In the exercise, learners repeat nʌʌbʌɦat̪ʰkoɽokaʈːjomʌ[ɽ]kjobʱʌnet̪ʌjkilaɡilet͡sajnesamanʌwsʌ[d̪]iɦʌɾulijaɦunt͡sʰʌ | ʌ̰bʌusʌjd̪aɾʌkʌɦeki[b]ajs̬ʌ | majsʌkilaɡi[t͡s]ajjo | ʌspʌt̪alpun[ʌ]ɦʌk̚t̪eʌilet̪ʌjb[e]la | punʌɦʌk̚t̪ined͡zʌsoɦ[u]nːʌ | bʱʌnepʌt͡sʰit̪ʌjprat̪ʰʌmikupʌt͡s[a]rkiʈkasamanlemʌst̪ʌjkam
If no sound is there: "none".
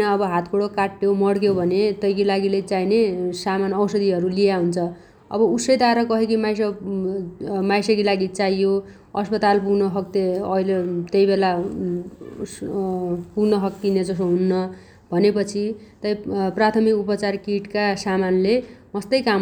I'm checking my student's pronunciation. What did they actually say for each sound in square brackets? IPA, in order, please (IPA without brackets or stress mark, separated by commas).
ɽ, d̪, m, t͡s, ʌ, e, u, a